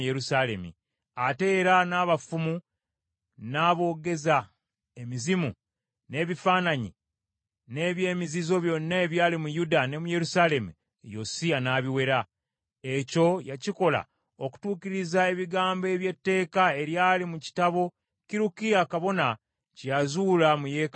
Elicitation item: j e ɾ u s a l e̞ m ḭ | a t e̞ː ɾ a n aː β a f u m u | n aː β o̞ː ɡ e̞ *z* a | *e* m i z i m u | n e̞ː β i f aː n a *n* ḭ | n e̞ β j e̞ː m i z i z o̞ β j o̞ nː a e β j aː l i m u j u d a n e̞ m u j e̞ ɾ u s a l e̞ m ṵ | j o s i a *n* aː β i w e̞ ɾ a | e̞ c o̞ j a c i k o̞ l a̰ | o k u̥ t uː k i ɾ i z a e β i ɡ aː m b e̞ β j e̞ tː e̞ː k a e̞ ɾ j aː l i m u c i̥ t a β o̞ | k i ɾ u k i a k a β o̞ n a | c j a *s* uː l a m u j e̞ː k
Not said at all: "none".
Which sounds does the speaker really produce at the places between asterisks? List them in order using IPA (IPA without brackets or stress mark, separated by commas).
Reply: z, e, ɲ, n, z